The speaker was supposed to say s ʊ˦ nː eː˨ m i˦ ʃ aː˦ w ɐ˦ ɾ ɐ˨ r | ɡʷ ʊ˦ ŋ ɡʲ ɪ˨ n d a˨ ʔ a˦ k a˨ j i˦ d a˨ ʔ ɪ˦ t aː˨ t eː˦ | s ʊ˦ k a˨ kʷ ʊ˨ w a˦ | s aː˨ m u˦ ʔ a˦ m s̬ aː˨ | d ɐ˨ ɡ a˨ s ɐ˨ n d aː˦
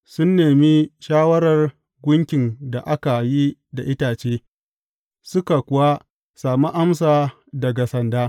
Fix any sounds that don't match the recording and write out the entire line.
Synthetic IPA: s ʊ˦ nː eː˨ m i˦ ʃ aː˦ w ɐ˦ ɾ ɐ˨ r | ɡʷ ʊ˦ ŋ kʲ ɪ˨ n d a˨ ʔ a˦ k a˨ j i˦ d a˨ ʔ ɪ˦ t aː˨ t͡ʃ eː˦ | s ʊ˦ k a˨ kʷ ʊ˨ w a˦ | s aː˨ m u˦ ʔ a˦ m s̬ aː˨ | d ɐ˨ ɡ a˨ s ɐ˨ n d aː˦

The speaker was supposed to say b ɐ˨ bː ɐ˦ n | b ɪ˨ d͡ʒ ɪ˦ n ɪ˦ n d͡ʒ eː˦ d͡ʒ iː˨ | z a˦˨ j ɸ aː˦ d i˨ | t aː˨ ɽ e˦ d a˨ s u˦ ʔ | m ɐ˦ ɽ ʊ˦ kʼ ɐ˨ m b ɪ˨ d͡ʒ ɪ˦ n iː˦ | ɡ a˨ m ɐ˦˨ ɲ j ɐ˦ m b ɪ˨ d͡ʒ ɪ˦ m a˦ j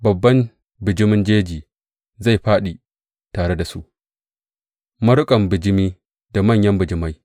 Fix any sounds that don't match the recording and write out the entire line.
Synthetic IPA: b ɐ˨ bː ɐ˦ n | b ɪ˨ d͡ʒ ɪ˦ m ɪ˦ n d͡ʒ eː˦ d͡ʒ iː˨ | z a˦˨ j ɸ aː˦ ɗ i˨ | t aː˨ ɽ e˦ d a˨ s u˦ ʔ | m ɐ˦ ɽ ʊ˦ kʼ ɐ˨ m b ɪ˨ d͡ʒ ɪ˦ m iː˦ | d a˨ m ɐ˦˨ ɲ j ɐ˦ m b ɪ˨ d͡ʒ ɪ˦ m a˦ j

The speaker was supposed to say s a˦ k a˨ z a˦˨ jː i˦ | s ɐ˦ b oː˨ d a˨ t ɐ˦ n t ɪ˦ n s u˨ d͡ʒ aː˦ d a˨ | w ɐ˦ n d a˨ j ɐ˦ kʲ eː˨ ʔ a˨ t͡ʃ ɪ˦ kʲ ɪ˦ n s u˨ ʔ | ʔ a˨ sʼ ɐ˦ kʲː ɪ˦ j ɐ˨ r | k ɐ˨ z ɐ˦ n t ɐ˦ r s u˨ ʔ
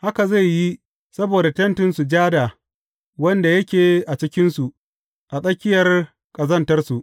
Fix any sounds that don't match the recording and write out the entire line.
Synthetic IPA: h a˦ k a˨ z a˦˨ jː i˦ | s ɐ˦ b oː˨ d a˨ t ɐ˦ n t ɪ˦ n s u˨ d͡ʒ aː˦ d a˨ | w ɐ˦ n d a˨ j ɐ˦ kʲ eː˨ ʔ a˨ t͡ʃ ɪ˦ kʲ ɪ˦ n s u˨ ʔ | ʔ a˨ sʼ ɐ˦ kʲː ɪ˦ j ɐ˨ r | kʼ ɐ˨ z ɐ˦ n t ɐ˦ r s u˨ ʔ

